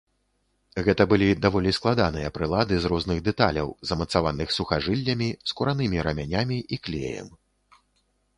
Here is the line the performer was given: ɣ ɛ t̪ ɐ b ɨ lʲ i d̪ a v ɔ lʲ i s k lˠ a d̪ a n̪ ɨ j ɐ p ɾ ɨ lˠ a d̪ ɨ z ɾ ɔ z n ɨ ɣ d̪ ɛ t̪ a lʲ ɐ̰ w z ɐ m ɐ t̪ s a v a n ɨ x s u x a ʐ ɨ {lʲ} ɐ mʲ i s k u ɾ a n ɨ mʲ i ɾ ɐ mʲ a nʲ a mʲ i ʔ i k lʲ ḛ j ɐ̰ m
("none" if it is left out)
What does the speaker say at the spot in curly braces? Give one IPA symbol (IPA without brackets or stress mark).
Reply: lʲː